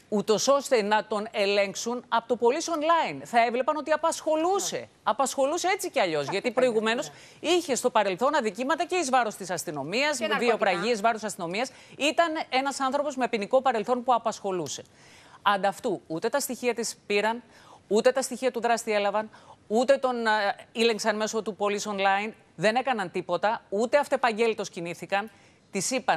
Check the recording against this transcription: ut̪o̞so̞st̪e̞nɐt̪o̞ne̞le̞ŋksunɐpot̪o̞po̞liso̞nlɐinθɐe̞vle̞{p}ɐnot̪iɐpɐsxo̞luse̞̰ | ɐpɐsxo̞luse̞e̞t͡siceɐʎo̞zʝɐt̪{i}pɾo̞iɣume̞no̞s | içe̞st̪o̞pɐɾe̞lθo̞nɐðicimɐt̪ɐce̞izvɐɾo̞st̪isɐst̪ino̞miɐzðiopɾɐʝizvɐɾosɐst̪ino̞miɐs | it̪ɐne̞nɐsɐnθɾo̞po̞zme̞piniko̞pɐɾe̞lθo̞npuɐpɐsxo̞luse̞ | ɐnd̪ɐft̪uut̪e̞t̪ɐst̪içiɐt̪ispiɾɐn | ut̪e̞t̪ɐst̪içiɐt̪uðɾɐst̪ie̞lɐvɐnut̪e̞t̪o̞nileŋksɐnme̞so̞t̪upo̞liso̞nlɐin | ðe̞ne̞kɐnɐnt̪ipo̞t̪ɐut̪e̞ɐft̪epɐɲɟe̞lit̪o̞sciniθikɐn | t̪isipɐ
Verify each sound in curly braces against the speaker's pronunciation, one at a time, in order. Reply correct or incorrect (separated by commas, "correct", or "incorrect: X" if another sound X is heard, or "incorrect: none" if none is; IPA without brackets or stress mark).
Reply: correct, correct